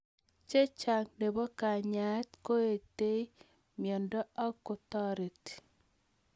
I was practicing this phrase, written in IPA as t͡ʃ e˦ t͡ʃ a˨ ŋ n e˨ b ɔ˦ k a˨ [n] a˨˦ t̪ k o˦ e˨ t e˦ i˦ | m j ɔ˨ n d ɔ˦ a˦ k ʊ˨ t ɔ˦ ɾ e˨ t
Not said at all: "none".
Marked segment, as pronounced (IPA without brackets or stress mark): ɲ